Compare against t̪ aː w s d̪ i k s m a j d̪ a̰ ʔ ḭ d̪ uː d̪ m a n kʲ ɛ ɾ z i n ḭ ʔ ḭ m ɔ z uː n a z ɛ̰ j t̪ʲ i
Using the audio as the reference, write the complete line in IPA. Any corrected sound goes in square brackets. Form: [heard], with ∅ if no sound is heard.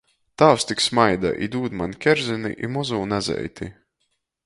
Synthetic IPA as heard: t̪ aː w s [t̪] i k s m a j d̪ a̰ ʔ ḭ d̪ uː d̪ m a n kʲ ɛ ɾ z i n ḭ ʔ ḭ m ɔ z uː n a z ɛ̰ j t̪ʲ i